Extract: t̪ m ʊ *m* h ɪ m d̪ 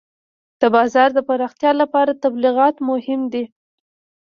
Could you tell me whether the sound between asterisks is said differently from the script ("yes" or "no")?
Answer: yes